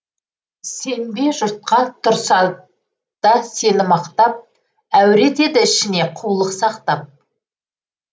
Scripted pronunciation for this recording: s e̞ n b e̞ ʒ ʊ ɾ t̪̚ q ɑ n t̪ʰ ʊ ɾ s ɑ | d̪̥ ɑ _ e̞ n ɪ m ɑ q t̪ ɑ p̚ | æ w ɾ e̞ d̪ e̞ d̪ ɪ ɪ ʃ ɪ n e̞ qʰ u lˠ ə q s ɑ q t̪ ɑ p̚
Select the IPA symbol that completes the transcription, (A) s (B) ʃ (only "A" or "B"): A